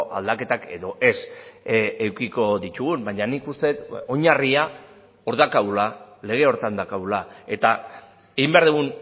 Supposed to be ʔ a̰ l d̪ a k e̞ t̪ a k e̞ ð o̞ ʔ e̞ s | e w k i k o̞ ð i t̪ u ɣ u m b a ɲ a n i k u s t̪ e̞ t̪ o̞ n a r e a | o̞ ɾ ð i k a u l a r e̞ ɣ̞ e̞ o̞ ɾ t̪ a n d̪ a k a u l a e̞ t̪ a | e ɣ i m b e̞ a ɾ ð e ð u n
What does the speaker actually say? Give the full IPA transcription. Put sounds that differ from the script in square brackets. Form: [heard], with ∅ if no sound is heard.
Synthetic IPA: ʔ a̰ l d̪ a k e̞ t̪ a k e̞ ð o̞ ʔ e̞ s | e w k i k o̞ ð i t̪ u ɣ u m b a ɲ a n i k u s t̪ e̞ t̪ o̞ [ɲ] a r [i] a | o̞ ɾ ð [a] k a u l a [l] e̞ ɣ̞ e̞ o̞ ɾ t̪ a n d̪ a k a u l a e̞ t̪ a | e ɣ i m b e̞ a ɾ ð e [ɣ] u n